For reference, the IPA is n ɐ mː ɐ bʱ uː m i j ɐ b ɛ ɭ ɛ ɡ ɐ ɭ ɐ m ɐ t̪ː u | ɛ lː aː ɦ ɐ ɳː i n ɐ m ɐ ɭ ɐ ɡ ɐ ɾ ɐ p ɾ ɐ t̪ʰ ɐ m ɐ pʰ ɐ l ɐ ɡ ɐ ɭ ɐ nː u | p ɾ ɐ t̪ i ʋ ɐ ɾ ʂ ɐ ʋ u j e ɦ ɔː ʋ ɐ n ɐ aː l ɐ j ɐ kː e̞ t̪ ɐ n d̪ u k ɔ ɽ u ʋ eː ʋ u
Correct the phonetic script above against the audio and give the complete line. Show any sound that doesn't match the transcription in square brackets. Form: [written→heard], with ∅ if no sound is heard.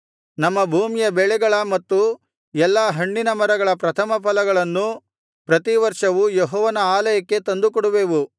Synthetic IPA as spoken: n ɐ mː ɐ bʱ uː m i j ɐ b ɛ ɭ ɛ ɡ ɐ ɭ ɐ m ɐ t̪ː u | ɛ lː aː ɦ ɐ ɳː i n ɐ m ɐ [ɭ→ɾ] ɐ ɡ ɐ [ɾ→ɭ] ɐ p ɾ ɐ t̪ʰ ɐ m ɐ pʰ ɐ l ɐ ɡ ɐ ɭ ɐ nː u | p ɾ ɐ t̪ i ʋ ɐ ɾ ʂ ɐ ʋ u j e ɦ ɔː ʋ ɐ n ɐ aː l ɐ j ɐ kː e̞ t̪ ɐ n d̪ u k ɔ ɽ u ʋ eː ʋ u